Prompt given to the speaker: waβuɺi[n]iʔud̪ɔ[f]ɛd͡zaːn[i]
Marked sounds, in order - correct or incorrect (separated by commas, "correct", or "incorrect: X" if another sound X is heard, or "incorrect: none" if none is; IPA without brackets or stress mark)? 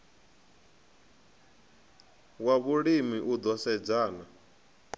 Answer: incorrect: m, incorrect: s, incorrect: a